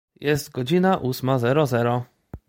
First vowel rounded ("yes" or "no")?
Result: no